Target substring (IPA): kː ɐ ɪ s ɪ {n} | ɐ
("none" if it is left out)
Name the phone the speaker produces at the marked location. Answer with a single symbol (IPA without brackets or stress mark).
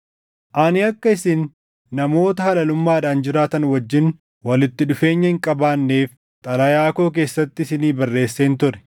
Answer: nː